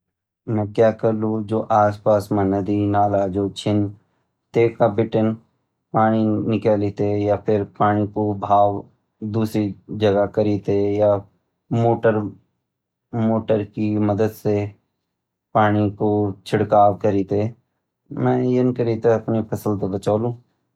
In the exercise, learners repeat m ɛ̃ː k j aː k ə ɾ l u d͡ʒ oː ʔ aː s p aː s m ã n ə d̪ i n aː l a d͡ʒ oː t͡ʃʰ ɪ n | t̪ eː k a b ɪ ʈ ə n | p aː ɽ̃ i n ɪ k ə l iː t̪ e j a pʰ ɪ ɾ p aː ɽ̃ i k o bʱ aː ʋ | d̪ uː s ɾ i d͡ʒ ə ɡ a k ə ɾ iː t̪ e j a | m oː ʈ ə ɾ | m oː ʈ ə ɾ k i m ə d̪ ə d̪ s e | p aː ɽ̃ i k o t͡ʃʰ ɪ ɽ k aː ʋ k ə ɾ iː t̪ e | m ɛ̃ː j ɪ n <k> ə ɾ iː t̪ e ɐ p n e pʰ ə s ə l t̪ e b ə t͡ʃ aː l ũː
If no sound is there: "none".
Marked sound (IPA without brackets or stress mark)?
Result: k